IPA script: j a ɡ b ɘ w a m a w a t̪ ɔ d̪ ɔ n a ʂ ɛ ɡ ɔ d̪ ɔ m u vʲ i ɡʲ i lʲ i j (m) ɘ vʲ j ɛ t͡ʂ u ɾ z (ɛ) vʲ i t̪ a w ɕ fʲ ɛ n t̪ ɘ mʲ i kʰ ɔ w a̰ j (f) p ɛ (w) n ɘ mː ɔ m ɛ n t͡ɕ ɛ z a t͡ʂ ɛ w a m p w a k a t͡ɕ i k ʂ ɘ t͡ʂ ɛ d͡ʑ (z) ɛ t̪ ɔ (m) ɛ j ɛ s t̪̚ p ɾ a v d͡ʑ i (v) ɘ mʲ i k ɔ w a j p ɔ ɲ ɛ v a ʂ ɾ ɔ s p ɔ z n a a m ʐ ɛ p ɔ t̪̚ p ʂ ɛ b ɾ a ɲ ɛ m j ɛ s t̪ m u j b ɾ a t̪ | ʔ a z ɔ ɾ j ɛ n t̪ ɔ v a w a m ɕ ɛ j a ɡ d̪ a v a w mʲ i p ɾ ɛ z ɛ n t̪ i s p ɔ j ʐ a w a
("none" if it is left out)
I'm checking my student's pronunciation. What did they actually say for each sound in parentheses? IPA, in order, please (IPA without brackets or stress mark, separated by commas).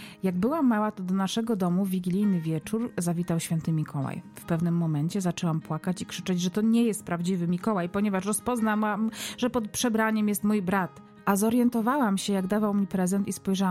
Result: n, a, f, v, ʐ, ɲ, v